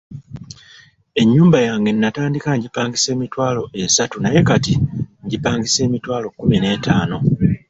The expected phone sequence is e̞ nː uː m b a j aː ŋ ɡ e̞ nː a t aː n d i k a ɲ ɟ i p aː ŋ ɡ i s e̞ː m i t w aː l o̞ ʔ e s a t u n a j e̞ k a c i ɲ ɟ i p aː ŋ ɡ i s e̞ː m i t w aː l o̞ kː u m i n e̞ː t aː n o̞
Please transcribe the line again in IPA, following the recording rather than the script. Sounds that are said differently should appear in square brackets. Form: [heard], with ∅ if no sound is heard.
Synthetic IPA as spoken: e̞ [ɲː] uː m b a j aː ŋ ɡ e̞ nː a t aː n d i k a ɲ ɟ i p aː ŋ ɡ i s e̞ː m i t w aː l o̞ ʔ e s a t u n a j e̞ k a [t] i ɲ ɟ i p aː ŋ ɡ i s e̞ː m i t w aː l o̞ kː u m i n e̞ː t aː n o̞